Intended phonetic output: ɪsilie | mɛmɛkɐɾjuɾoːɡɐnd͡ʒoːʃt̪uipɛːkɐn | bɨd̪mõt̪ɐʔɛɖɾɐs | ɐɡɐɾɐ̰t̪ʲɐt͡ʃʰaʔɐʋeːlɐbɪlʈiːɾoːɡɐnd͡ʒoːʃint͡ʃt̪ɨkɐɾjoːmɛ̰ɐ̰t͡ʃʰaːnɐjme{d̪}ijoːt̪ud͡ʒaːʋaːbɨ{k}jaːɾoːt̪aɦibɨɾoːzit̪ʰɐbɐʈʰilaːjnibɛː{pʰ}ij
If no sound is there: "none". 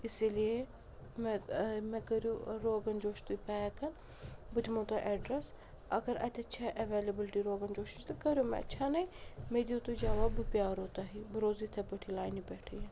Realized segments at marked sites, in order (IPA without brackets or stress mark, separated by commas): d̪, p, ʈʰ